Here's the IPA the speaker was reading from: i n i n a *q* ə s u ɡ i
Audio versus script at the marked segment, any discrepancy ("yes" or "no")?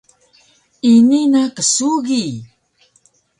yes